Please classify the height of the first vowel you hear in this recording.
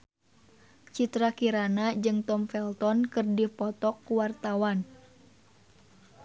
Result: high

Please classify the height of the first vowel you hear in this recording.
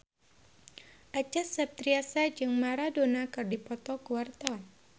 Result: low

